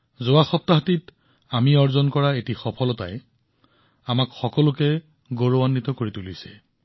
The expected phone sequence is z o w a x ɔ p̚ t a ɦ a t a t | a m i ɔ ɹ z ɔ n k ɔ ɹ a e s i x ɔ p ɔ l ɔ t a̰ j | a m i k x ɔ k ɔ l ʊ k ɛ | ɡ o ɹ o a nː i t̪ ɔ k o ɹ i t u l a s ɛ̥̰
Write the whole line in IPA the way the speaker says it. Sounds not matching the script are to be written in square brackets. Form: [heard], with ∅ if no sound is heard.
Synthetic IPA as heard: z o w a x ɔ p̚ t a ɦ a t [i] t | a m i ɔ ɹ z ɔ n k ɔ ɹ a e [t] i x ɔ [pʰ] ɔ l ɔ t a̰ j | a m [a] k x ɔ k ɔ l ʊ k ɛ | ɡ o ɹ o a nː i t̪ ɔ k o ɹ i t u l [i] s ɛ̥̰